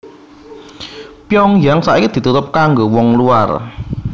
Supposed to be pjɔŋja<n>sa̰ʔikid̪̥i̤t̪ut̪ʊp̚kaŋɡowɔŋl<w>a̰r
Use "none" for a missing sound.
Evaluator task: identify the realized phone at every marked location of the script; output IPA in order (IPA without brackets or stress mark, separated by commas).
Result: ŋ, u